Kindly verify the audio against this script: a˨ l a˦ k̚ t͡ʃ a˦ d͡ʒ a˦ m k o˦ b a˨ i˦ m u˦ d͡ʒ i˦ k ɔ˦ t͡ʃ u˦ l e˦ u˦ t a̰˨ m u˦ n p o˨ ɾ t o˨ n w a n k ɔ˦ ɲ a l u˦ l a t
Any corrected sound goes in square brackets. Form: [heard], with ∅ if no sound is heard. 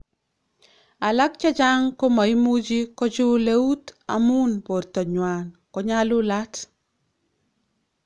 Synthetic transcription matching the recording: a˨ l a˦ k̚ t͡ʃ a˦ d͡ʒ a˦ [ŋ] k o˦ [m] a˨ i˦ m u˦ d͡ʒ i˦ k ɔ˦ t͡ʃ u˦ l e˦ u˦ t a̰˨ m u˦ n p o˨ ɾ t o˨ [ɲ] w a n k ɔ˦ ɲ a l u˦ l a t